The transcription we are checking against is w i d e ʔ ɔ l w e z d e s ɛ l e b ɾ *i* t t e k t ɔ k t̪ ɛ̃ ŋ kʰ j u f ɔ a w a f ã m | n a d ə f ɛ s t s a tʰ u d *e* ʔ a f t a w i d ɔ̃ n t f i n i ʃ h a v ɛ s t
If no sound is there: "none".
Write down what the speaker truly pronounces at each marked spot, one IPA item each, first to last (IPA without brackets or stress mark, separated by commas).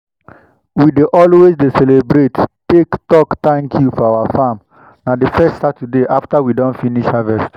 e, e